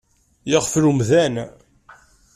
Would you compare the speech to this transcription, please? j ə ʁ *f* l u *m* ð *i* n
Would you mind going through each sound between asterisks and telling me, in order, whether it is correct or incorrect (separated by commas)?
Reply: correct, correct, incorrect